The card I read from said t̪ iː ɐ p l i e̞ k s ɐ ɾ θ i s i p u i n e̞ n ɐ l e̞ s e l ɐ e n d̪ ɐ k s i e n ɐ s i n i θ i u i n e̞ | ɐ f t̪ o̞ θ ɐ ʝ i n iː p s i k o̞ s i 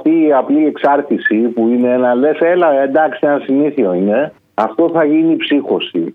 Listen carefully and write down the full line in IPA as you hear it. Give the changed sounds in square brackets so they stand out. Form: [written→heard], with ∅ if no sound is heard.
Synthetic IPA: t̪ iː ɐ p l i e̞ k s ɐ ɾ θ i s i p u i n e̞ n ɐ l e̞ s e l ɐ e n d̪ ɐ k s i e n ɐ s i n i θ i [u→o] i n e̞ | ɐ f t̪ o̞ θ ɐ ʝ i n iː p s i [k→x] o̞ s i